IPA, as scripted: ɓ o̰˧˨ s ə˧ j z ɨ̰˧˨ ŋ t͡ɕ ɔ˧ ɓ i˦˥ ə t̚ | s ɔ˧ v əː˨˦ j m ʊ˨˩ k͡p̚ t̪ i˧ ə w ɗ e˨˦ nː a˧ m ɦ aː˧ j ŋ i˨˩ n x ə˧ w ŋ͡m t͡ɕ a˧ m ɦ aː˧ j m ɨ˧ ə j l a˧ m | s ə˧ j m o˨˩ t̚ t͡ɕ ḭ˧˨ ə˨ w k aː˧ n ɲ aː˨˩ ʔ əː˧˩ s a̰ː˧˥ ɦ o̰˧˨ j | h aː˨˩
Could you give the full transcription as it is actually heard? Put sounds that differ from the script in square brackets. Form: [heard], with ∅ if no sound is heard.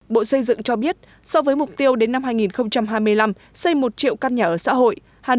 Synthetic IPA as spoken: ɓ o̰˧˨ s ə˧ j z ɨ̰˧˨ ŋ t͡ɕ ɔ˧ ɓ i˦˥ ə t̚ | s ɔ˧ v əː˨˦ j m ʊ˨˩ k͡p̚ t̪ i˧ ə w ɗ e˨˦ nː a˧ m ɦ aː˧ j ŋ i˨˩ n x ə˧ w ŋ͡m t͡ɕ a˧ m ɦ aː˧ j m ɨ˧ ə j l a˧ m | s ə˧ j m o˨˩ t̚ t͡ɕ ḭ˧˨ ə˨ w k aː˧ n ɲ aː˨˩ ʔ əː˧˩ s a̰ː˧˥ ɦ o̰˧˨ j | h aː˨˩